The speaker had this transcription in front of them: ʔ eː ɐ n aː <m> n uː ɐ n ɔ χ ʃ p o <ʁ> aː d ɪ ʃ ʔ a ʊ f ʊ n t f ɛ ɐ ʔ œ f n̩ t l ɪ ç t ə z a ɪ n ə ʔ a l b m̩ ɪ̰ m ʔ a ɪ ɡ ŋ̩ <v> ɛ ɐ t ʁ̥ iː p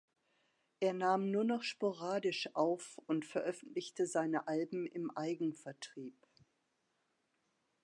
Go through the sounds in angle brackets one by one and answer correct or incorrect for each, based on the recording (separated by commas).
correct, correct, incorrect